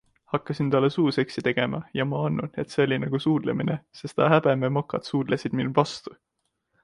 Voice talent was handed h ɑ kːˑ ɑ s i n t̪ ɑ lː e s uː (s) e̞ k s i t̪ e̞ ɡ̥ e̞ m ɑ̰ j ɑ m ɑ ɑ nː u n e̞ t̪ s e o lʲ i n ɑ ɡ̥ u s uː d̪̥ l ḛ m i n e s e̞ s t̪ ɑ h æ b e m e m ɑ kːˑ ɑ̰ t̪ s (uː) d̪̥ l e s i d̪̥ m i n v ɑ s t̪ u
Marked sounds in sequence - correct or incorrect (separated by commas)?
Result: correct, correct